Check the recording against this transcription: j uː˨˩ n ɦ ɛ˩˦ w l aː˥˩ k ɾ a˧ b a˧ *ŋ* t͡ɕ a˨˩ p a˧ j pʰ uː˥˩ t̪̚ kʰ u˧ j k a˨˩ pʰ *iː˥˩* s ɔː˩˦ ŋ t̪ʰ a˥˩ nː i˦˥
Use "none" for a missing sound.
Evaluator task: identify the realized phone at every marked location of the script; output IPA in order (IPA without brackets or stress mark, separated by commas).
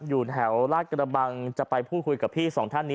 ŋ, iː˥˩